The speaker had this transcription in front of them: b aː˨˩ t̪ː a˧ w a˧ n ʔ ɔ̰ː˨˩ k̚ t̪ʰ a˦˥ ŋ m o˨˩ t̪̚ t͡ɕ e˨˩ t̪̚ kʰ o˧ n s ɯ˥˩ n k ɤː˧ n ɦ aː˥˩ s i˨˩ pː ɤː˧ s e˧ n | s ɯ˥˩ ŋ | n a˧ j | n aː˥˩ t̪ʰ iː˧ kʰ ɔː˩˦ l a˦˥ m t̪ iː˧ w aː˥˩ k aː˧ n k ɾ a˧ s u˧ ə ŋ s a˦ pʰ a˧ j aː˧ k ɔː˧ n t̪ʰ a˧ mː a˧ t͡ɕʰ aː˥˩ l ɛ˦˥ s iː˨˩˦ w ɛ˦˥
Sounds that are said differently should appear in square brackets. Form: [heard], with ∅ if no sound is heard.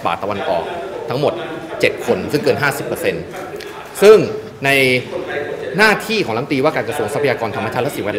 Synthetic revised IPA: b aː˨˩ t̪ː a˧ w a˧ n ʔ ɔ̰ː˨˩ k̚ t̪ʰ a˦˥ ŋ m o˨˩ t̪̚ t͡ɕ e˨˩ t̪̚ kʰ o˧ n s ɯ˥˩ [ŋ] k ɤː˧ n ɦ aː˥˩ s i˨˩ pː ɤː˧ s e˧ n | s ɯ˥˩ ŋ | n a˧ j | n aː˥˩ t̪ʰ [iː˥˩] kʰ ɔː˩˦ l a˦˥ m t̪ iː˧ w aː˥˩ k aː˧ n k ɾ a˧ s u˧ ə ŋ s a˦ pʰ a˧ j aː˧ k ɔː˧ n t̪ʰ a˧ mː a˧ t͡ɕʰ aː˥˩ l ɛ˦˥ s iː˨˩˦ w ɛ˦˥